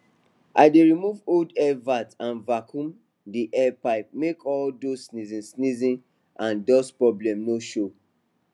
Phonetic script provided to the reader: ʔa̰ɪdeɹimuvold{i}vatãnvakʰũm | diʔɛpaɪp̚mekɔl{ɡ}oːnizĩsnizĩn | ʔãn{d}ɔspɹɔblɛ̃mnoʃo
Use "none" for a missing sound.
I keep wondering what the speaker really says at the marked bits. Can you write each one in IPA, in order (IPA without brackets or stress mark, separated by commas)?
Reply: ɛ, d, d